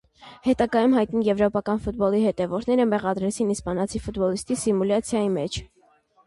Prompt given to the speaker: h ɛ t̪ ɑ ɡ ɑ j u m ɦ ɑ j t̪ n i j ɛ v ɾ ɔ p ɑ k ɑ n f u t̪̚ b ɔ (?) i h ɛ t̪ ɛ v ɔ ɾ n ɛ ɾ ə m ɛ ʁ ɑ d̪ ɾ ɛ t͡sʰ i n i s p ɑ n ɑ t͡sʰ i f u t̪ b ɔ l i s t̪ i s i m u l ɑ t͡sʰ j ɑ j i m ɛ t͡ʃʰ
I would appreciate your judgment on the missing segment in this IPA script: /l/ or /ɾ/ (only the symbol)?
l